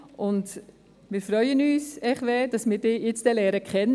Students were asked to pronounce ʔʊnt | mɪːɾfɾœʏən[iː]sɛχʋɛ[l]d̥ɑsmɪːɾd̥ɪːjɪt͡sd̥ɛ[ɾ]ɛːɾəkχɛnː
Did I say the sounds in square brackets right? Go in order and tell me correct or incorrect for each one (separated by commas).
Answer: incorrect, incorrect, incorrect